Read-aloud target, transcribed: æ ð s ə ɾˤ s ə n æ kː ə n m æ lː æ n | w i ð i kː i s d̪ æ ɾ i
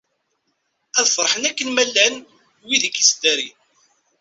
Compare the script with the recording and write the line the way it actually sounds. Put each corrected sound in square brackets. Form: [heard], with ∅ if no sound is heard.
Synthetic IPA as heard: æ ð [f] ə ɾˤ [ħ] ə n æ kː ə n m æ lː æ n | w i ð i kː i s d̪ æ ɾ i